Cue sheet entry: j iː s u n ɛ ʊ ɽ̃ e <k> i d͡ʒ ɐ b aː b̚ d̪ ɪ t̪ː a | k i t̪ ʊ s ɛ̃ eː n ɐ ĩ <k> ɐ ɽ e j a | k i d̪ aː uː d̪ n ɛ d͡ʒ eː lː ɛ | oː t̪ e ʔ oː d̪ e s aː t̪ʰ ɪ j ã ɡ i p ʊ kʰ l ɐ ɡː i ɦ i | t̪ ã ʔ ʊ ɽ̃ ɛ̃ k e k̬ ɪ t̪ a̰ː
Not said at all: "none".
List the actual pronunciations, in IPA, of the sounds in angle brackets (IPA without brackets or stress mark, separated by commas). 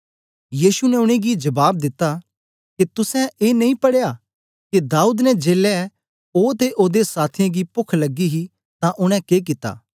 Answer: ɡ, p